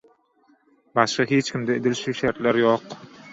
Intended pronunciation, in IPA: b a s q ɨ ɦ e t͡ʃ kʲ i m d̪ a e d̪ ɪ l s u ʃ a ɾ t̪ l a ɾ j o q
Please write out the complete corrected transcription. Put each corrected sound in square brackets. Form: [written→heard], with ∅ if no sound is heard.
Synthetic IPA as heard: b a [s→ʃ] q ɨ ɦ e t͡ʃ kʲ [i→ɪ] m d̪ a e d̪ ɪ l [s→ʃ] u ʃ a ɾ t̪ l a ɾ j o q